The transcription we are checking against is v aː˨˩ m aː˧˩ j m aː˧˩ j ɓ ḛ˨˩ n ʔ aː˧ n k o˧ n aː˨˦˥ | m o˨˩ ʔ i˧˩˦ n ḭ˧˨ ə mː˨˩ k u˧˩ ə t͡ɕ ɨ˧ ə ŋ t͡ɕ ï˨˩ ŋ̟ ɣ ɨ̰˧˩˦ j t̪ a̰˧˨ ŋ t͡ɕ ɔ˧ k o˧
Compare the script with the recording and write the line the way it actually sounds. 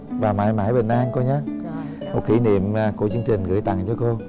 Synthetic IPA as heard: v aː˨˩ m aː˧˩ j m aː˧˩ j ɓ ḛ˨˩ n ʔ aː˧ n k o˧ ɲ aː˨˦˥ | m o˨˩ k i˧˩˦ n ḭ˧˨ ə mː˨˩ k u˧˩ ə t͡ɕ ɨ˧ ə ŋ t͡ɕ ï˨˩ ŋ̟ ɣ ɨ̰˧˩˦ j t̪ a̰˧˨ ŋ t͡ɕ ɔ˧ k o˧